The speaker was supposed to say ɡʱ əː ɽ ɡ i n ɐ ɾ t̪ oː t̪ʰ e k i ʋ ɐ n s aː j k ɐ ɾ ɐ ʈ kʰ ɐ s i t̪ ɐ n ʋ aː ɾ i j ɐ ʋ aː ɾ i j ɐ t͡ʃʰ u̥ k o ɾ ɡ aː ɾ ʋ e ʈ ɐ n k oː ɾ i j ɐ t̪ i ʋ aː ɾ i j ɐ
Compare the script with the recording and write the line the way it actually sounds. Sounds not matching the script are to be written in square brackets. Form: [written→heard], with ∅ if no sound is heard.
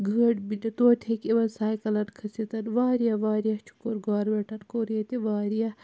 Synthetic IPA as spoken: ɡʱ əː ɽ [ɡ→b] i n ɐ [ɾ→∅] t̪ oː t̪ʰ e k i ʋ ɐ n s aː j k ɐ [ɾ→l] ɐ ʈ kʰ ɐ s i t̪ ɐ n ʋ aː ɾ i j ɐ ʋ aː ɾ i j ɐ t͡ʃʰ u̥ k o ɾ ɡ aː ɾ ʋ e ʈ ɐ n k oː ɾ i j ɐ t̪ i ʋ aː ɾ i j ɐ